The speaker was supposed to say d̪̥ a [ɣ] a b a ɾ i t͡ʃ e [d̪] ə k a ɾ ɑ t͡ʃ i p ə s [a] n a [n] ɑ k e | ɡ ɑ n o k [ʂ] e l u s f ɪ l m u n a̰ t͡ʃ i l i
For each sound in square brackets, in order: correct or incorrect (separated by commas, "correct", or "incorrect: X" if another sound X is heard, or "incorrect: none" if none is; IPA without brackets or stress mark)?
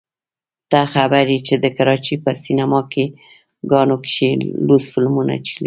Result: incorrect: x, correct, incorrect: i, incorrect: m, incorrect: ʃ